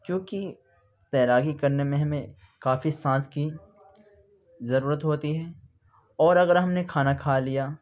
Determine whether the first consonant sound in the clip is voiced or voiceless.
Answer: voiceless